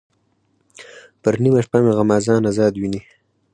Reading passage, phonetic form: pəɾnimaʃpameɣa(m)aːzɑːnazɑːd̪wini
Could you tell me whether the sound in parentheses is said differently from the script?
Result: no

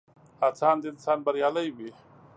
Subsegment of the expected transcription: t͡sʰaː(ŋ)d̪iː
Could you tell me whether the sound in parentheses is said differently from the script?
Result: yes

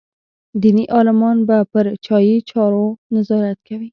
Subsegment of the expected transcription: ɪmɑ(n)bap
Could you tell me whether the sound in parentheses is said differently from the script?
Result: no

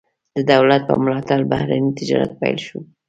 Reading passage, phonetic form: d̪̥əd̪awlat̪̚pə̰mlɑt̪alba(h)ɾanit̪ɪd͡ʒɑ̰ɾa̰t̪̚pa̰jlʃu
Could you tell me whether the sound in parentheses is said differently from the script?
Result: no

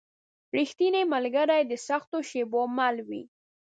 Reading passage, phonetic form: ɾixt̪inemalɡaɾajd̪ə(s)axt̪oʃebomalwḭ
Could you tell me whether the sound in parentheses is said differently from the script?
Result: no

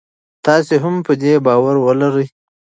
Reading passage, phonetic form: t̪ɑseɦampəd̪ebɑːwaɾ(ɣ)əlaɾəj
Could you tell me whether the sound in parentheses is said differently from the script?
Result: yes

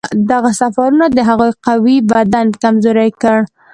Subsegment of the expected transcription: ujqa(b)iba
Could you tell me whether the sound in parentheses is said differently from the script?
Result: yes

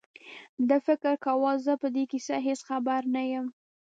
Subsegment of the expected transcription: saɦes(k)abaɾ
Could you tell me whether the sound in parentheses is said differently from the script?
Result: yes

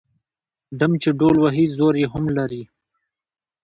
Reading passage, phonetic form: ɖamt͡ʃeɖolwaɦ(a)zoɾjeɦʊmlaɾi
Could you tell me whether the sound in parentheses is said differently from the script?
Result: yes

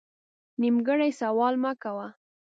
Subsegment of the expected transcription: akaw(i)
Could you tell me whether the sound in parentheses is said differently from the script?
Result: yes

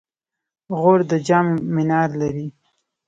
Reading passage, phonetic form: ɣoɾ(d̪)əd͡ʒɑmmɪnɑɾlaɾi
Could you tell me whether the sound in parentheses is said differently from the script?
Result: no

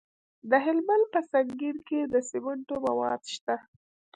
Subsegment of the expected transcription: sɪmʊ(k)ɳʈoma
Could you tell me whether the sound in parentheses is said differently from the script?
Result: yes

